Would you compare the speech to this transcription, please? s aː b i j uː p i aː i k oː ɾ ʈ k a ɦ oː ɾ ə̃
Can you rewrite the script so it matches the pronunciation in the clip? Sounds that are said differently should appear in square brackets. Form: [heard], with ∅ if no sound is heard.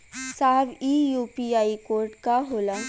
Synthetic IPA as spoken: s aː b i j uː p i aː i k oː ɾ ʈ k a ɦ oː [l] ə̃